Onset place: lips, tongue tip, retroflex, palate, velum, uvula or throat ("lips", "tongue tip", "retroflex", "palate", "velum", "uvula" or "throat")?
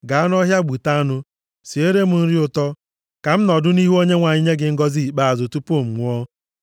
velum